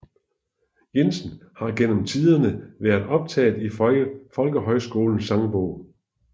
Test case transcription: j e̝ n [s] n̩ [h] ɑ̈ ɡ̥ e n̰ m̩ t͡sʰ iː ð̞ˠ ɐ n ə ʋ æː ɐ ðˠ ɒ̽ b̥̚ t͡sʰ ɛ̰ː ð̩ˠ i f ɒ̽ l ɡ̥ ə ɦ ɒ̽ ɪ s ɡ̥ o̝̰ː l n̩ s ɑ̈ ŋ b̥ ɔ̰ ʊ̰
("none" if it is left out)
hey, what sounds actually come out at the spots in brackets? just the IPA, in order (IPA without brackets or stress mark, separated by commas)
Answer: s, h